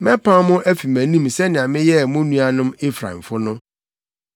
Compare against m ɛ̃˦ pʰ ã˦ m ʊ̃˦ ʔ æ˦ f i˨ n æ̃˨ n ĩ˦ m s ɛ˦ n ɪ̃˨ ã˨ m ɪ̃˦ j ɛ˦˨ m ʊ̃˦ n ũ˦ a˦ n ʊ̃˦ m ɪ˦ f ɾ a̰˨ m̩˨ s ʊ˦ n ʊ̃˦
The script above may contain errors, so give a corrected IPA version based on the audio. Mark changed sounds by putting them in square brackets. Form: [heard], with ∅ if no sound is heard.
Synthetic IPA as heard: m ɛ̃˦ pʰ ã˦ m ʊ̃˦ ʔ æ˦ f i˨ [m] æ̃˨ n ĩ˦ m s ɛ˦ n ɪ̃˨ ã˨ m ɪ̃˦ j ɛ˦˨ m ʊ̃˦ n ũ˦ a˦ n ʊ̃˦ m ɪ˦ f ɾ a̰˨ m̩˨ [f] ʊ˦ n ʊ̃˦